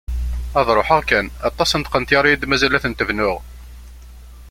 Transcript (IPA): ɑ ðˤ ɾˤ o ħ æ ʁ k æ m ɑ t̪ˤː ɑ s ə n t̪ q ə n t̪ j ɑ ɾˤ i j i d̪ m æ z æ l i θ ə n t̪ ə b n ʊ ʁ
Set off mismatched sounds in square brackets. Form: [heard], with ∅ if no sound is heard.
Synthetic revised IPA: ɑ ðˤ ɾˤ o ħ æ ʁ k æ [n] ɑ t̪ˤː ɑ s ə n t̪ q ə n t̪ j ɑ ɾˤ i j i d̪ m æ z æ l [æ] θ ə n t̪ ə [v] n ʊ ʁ